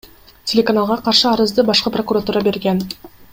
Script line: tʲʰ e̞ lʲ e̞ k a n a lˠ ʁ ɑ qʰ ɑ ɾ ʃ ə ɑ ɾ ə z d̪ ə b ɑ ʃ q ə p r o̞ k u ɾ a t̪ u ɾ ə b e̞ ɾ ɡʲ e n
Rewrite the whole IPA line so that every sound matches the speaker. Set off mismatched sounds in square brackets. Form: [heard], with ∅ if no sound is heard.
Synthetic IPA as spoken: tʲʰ e̞ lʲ e̞ k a n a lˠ ʁ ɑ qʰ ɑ ɾ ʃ ə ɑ ɾ ə z d̪ ə b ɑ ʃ q ə p r o̞ k u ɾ a t̪ u ɾ [ɑ] b e̞ ɾ ɡʲ e n